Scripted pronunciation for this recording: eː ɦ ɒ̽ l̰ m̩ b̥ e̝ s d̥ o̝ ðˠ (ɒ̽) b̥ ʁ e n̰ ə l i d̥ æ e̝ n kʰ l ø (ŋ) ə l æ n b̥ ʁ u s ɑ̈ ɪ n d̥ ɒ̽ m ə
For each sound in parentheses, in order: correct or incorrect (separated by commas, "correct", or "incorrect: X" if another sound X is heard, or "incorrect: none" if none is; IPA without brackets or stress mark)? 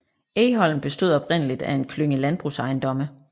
correct, correct